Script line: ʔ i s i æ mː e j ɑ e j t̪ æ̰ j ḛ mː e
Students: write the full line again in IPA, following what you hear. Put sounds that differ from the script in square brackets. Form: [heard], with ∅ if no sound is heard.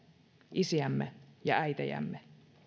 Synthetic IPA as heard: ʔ i s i æ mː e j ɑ [æ] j t̪ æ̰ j [æ̰] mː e